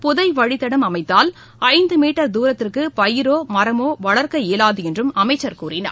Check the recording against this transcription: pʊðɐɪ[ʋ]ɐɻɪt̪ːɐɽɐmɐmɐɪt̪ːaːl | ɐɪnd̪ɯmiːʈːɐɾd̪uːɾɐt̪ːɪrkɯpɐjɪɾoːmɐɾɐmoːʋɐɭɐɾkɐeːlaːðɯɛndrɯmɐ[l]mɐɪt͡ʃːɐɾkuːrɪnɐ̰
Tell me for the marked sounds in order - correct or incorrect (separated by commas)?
correct, incorrect